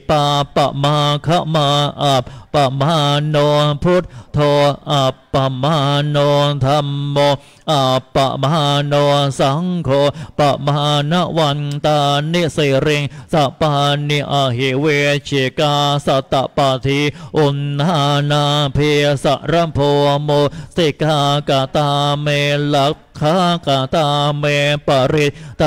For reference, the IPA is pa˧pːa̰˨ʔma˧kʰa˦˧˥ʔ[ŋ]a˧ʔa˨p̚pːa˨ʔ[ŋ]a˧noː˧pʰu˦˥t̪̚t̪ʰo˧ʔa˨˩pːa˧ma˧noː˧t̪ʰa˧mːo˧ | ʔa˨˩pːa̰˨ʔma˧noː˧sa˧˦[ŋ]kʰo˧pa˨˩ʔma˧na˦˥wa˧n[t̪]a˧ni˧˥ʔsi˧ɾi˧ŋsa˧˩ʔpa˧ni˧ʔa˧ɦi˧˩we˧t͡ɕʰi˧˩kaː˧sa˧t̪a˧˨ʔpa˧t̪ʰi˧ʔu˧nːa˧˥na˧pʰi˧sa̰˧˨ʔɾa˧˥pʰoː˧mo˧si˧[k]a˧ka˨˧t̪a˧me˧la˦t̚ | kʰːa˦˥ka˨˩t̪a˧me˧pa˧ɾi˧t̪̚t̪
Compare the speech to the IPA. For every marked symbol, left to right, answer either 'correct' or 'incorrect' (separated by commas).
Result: incorrect, incorrect, correct, correct, correct